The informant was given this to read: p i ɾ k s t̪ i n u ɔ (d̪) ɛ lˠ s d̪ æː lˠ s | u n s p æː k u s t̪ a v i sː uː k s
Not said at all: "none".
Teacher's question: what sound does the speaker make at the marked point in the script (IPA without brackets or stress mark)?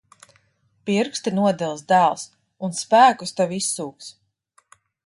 d̪